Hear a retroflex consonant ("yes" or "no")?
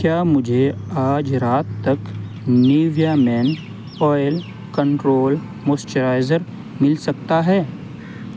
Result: yes